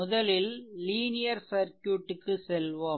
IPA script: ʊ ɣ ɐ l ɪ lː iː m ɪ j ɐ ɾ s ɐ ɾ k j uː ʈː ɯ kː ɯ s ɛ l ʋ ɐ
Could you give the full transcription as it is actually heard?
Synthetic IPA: ʊ ð ɐ l ɪ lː iː n ɪ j ɐ ɾ s ɐ ɾ k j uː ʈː ɯ kː ɯ s ɛ l ʋ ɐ